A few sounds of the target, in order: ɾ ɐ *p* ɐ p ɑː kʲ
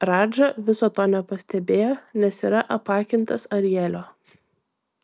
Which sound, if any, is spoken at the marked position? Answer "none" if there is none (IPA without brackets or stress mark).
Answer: ʔ